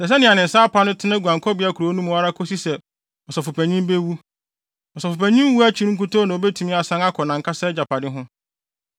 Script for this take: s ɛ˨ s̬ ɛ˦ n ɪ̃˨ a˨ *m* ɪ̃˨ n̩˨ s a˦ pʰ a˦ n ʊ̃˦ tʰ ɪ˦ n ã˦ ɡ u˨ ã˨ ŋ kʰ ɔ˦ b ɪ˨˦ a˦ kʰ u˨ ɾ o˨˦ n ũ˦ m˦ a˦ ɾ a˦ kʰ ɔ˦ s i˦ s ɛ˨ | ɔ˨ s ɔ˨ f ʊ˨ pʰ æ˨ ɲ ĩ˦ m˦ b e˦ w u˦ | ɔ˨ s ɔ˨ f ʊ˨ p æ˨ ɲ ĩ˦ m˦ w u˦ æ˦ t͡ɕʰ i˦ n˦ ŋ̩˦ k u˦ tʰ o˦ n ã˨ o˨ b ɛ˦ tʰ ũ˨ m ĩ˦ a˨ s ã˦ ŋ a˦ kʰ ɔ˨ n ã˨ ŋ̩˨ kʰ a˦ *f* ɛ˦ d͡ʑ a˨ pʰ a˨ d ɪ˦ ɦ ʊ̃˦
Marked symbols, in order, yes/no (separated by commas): no, no